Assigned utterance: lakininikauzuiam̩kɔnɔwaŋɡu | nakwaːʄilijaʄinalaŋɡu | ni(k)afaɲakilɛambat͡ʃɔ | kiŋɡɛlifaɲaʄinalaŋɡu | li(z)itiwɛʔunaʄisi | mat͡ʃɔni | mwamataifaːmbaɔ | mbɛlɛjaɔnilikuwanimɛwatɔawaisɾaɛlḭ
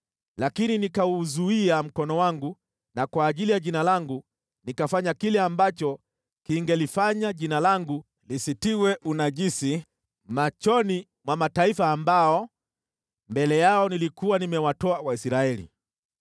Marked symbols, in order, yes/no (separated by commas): yes, no